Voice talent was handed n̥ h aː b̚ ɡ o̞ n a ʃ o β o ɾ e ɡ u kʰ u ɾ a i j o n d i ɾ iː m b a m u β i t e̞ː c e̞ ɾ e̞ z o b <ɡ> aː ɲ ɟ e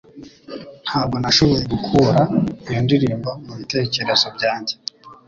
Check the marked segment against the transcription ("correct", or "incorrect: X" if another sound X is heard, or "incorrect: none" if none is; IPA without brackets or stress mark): incorrect: ɟ